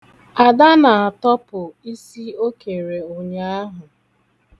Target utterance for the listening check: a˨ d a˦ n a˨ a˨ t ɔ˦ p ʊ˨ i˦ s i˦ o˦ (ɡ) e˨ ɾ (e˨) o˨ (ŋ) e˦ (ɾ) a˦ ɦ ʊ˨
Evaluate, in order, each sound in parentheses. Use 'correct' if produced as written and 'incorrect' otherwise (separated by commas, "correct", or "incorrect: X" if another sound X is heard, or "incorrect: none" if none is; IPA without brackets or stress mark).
incorrect: k, correct, incorrect: ɲ, incorrect: none